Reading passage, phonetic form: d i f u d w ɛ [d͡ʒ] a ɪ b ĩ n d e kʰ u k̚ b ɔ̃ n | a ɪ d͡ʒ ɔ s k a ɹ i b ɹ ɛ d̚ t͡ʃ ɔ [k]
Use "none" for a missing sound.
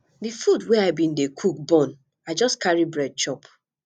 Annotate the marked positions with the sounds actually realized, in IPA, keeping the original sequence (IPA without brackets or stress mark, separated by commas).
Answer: none, p